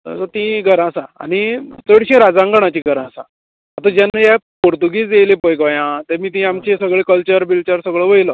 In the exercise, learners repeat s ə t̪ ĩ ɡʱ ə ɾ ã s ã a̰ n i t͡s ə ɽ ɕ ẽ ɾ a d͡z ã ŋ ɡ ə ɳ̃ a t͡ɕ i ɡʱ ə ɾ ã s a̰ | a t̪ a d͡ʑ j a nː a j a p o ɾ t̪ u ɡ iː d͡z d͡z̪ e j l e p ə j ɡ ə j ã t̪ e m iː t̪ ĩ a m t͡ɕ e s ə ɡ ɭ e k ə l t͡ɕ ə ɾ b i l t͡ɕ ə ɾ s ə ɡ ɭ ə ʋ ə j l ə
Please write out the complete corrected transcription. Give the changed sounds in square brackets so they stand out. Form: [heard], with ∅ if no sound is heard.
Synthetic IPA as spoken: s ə t̪ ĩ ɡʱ ə ɾ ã s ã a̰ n i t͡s ə ɽ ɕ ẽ ɾ a d͡z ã ŋ ɡ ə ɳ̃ a t͡ɕ i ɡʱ ə ɾ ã s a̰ | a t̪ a d͡ʑ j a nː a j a p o ɾ t̪ u ɡ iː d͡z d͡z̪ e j l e p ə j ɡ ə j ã t̪ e m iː t̪ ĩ a m t͡ɕ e s ə ɡ ɭ e k ə l t͡ɕ ə ɾ b i l t͡ɕ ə ɾ s ə ɡ ɭ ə ʋ ə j l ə